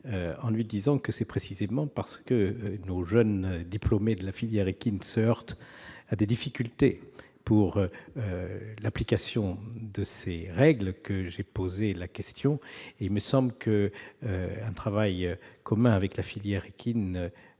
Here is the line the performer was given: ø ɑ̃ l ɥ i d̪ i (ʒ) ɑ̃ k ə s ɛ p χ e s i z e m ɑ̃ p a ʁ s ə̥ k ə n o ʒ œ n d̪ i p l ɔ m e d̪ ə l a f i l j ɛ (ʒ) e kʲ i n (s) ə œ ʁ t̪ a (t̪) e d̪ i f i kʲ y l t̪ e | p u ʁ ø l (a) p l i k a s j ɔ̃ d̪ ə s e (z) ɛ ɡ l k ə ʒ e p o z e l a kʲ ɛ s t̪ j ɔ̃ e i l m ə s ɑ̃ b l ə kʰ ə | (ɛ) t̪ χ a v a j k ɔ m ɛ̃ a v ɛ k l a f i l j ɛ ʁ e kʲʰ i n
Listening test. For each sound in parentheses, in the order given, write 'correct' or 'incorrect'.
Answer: incorrect: z, incorrect: ʁ, correct, incorrect: d̪, correct, incorrect: ʁ, incorrect: ɛ̃

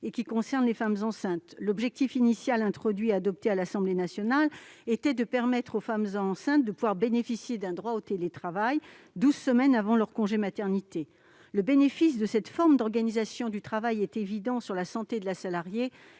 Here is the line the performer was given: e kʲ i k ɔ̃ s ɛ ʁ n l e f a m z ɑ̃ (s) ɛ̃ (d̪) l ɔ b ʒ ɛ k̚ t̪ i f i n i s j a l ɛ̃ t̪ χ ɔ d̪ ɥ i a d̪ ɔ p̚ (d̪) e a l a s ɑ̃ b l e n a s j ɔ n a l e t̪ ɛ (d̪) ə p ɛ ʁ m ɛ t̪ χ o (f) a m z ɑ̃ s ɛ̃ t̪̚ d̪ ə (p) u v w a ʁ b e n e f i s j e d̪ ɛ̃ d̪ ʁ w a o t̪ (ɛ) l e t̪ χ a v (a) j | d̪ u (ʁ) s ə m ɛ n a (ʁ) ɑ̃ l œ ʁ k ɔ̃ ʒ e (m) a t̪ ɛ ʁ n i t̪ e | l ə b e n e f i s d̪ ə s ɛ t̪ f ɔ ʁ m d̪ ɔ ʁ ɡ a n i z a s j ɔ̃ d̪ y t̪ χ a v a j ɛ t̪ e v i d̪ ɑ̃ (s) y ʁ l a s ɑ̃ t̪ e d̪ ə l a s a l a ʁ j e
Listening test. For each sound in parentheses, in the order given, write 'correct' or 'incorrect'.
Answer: correct, incorrect: t̪, incorrect: t̪, correct, correct, correct, incorrect: e, correct, incorrect: z, incorrect: v, correct, correct

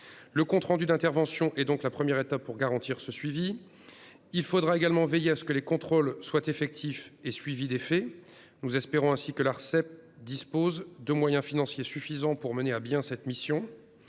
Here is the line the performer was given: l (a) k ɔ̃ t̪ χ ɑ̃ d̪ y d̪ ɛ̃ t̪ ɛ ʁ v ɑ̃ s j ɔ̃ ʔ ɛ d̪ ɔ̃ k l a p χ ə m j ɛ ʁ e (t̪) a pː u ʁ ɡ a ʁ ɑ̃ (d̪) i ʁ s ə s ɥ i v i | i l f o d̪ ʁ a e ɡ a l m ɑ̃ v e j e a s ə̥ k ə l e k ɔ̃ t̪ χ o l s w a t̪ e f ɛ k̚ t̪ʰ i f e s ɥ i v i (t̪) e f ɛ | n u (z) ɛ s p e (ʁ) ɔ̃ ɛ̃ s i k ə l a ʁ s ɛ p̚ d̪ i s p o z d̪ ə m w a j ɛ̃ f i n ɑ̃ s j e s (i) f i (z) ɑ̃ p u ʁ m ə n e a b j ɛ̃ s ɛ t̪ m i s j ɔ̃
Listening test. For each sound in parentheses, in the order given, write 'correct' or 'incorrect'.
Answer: incorrect: ə, correct, incorrect: t̪, incorrect: d̪, correct, correct, incorrect: y, correct

